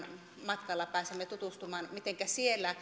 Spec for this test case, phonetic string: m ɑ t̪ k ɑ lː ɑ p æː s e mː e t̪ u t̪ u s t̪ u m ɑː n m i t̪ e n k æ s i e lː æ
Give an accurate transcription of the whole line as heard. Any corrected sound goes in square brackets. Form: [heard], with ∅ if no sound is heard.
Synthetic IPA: m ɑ t̪ k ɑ lː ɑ p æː s e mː e t̪ u t̪ u s t̪ u m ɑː n m i t̪ e [ŋ] k æ s i e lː æ